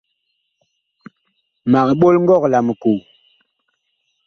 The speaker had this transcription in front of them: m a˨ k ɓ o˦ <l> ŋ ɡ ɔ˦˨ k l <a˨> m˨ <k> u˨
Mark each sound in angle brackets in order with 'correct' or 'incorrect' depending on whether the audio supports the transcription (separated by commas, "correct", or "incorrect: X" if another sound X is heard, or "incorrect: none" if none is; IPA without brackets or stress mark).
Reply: correct, correct, correct